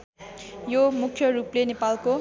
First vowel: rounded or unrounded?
rounded